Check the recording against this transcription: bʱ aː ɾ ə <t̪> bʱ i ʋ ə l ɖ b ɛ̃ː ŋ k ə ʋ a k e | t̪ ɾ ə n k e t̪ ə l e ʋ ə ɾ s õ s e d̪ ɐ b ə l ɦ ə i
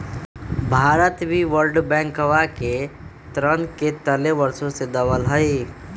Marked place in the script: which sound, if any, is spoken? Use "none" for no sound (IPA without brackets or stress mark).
t̪